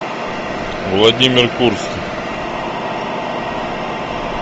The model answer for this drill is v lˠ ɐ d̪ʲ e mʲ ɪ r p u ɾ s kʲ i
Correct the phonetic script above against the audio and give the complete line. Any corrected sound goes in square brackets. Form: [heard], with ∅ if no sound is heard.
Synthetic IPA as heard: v lˠ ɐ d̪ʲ [i] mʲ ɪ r [k] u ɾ s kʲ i